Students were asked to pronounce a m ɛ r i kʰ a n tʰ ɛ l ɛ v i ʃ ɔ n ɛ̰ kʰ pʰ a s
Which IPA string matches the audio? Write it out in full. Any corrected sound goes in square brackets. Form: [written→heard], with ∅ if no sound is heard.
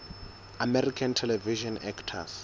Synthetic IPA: a m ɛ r i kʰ a n tʰ ɛ l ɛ v i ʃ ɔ n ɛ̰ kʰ [pʰ→tʰ] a s